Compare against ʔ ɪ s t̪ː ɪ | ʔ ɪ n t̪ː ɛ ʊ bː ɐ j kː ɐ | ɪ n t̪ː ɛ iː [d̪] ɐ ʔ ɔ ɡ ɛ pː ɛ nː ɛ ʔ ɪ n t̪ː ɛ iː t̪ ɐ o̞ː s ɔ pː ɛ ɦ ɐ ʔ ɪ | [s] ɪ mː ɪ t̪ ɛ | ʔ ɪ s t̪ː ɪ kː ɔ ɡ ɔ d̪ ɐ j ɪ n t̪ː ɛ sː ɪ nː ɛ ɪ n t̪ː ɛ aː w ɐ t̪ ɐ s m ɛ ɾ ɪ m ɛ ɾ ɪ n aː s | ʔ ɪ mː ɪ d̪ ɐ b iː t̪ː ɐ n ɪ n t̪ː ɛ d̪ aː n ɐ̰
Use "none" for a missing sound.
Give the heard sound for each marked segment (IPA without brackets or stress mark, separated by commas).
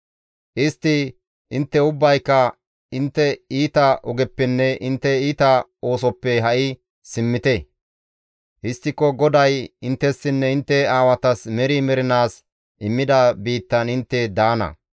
t̪, s